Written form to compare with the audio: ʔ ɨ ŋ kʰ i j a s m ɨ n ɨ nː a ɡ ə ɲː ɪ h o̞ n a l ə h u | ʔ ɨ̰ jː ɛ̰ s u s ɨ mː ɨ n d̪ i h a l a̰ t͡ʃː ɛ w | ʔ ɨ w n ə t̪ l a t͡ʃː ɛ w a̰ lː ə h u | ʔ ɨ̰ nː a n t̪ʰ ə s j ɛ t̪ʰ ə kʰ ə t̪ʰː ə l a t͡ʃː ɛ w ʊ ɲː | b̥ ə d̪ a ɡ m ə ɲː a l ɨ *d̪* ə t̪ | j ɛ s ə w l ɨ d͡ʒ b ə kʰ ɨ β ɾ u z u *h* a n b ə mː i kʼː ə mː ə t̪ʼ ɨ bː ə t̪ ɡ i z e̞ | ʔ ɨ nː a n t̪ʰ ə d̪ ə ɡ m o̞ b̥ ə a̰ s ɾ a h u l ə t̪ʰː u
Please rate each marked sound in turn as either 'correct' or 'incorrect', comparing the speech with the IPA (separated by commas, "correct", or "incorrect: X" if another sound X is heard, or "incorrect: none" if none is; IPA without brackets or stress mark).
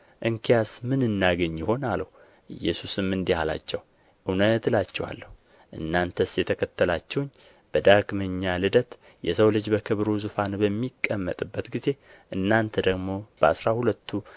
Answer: correct, incorrect: f